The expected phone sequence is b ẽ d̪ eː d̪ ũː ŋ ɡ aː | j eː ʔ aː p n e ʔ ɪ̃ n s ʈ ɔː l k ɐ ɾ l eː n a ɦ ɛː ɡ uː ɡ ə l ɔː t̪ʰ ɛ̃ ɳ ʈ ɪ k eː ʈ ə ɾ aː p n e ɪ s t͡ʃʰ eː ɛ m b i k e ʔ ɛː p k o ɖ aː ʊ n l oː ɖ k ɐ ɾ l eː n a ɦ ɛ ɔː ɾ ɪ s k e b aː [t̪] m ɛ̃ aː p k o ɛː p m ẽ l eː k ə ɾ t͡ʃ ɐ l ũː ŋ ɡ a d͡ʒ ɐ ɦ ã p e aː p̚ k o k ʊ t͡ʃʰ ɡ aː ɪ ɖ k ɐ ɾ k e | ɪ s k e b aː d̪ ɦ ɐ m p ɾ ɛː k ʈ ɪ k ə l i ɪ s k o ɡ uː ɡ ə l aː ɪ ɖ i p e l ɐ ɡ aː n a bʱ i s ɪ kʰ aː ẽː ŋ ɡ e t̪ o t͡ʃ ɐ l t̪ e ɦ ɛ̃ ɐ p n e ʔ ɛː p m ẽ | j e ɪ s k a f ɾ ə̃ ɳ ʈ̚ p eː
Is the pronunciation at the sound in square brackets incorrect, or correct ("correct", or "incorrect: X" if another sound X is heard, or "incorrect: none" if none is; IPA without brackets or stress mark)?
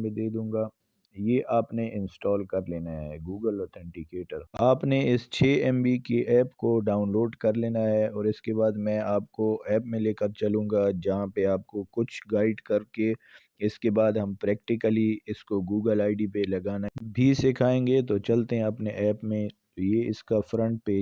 incorrect: d̪